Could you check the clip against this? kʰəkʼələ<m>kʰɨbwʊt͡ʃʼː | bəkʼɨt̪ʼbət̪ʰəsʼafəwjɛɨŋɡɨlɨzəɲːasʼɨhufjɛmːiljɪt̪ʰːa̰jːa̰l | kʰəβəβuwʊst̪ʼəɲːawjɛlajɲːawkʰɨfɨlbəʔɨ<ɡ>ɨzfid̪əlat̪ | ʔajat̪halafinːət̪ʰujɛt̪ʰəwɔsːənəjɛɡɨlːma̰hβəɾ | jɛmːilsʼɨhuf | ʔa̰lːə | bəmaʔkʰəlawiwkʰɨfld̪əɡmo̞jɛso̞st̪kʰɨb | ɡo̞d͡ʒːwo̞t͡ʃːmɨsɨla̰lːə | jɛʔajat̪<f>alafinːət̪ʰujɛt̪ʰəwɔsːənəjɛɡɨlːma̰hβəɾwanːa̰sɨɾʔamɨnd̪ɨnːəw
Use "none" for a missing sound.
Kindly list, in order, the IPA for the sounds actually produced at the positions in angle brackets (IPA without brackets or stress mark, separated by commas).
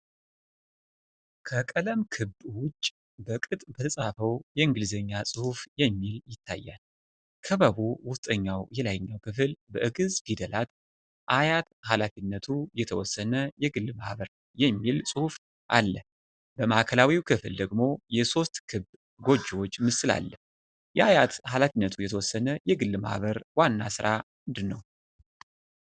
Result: m, ɡ, h